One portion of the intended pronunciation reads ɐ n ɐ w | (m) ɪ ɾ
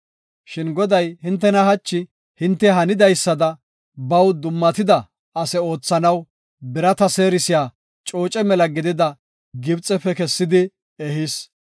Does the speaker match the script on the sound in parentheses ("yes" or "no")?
no